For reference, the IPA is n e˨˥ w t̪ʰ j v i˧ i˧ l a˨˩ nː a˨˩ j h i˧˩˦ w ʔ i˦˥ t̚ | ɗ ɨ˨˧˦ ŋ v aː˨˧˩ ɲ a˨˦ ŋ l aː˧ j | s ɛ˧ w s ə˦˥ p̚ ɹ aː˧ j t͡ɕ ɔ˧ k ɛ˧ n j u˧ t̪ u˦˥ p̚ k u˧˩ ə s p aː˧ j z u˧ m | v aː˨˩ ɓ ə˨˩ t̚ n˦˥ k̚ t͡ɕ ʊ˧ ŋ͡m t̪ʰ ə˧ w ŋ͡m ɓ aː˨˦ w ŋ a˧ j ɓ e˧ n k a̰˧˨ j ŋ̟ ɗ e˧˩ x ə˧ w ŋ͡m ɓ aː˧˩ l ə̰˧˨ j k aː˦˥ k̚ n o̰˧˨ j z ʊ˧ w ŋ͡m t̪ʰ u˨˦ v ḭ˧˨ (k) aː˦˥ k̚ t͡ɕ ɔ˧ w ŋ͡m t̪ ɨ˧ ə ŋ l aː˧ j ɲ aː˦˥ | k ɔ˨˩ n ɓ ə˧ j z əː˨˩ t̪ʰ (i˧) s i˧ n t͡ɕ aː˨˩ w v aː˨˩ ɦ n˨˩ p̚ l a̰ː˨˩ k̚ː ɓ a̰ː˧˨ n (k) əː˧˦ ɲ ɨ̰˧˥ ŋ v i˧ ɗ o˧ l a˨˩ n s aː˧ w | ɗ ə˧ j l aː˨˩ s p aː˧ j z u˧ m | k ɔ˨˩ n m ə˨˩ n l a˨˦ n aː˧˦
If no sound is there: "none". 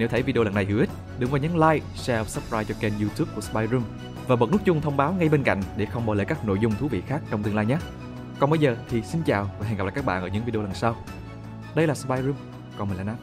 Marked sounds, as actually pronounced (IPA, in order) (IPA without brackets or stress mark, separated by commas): x, i˨˩, ʔ